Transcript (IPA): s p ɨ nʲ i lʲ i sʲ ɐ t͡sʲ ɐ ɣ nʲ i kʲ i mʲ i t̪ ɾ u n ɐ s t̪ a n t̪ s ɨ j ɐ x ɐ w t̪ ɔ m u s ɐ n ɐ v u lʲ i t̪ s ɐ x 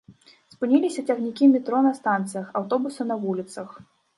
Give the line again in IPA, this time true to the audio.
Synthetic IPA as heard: s p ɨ nʲ i lʲ i sʲ ɐ t͡sʲ ɐ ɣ nʲ i kʲ i mʲ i t̪ ɾ ɔ n ɐ s t̪ a n t̪ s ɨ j ɐ x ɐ w t̪ ɔ b u s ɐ n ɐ v u lʲ i t̪ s ɐ x